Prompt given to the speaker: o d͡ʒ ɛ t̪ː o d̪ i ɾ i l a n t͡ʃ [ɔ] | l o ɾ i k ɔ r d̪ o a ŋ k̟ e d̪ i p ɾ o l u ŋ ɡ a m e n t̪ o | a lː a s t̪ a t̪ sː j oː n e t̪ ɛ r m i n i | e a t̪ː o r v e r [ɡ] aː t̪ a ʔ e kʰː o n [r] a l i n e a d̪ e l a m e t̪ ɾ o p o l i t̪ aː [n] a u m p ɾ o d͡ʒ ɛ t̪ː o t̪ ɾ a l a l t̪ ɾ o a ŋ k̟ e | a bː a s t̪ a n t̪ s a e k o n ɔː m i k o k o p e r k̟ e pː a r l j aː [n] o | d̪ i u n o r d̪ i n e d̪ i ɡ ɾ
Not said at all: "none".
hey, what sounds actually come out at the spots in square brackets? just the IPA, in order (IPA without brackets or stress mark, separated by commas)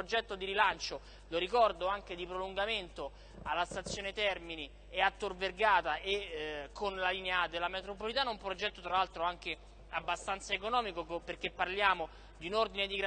o, ɡ, l, n, m